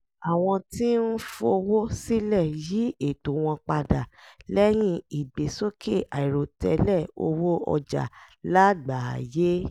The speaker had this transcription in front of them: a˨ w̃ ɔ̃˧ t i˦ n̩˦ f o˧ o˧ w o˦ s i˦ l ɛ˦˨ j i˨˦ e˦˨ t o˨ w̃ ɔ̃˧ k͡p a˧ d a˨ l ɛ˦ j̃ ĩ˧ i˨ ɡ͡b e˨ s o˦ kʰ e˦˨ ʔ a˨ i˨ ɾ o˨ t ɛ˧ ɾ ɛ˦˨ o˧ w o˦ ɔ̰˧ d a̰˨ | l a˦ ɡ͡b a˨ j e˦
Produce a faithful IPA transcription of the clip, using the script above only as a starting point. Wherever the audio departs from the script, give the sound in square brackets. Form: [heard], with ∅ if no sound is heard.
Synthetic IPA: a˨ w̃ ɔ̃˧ t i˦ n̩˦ f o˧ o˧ w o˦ s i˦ l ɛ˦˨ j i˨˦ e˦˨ t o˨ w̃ ɔ̃˧ k͡p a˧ d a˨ l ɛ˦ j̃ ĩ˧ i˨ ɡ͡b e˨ s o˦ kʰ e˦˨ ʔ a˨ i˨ ɾ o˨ t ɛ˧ [l] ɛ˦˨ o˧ w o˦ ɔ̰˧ [d͡ʒ] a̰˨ | l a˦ ɡ͡b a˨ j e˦